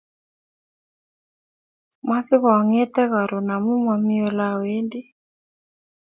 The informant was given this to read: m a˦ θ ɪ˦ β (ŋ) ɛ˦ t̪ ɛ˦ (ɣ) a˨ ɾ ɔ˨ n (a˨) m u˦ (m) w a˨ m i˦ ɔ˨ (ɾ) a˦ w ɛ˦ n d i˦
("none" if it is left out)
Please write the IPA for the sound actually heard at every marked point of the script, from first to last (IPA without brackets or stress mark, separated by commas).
ŋ, ɣ, a˨, m, l